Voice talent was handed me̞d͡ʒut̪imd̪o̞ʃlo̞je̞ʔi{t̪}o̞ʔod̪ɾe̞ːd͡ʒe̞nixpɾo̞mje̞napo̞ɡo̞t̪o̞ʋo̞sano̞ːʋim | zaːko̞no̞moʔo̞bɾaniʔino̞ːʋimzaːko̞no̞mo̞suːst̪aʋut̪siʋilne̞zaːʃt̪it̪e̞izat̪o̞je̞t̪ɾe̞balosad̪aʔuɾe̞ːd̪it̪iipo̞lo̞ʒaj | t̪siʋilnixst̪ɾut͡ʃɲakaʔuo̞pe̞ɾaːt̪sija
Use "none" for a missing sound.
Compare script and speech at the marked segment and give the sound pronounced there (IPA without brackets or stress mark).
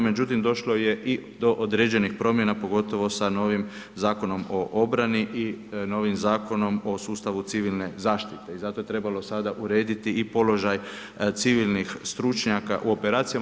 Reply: d̪